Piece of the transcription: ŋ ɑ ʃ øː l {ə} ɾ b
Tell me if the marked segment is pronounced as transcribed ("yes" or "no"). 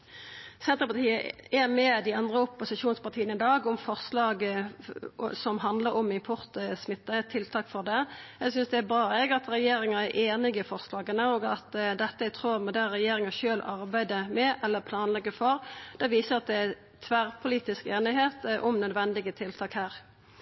no